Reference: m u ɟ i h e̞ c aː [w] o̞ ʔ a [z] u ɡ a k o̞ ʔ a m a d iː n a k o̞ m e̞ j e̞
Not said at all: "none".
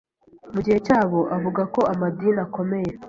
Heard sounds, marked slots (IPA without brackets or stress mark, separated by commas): β, v